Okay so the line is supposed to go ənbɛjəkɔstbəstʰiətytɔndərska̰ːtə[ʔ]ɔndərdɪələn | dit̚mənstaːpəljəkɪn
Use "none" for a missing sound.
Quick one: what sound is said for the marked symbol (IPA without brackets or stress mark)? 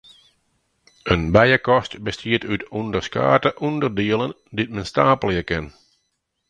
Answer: ʔ